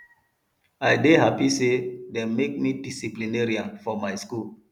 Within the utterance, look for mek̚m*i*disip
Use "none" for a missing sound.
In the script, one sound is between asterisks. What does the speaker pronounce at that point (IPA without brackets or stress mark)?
i